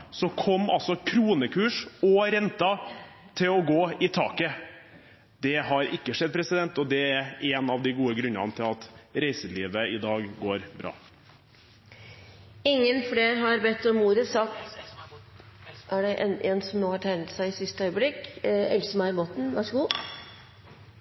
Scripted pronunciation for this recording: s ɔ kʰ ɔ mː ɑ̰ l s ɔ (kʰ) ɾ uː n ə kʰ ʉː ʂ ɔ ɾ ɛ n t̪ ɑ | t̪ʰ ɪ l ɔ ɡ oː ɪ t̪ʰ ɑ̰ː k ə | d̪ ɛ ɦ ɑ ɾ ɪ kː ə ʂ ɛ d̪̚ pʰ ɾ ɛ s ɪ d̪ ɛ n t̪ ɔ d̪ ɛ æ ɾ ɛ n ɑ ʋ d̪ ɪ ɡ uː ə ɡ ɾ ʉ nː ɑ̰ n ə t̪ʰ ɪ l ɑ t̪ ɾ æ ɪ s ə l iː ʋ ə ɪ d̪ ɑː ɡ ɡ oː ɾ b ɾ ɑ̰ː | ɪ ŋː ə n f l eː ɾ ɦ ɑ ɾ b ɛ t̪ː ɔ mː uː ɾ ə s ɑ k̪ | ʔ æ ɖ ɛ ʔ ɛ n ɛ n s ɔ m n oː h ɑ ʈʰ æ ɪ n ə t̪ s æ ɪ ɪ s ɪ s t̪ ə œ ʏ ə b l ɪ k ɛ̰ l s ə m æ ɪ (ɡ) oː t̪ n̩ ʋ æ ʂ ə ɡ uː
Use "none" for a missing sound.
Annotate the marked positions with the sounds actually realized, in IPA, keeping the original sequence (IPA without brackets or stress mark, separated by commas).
kʰ, b